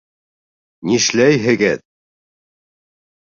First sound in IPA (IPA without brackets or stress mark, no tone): n